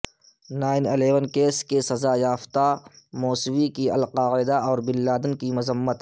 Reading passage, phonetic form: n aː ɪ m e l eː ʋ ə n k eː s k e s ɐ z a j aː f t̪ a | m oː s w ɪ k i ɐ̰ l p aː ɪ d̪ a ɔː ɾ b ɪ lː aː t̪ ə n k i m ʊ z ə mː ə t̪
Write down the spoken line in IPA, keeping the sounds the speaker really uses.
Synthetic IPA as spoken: n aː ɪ n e l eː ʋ ə n k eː s k e s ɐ z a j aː f t̪ a | m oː s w i k i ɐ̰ l q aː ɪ d̪ a ɔː ɾ b ɪ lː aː d̪ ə n k i m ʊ z ə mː ə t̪